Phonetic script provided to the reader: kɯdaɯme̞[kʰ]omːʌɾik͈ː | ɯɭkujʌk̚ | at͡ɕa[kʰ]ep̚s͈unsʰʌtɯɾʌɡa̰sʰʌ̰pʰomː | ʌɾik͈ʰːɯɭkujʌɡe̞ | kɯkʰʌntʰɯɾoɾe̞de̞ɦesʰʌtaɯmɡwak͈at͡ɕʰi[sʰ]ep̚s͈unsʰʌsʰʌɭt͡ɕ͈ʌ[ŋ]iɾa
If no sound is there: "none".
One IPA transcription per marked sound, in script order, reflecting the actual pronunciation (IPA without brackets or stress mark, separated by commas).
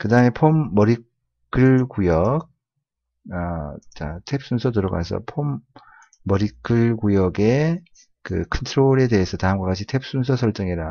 pʰ, tʰ, tʰ, ŋ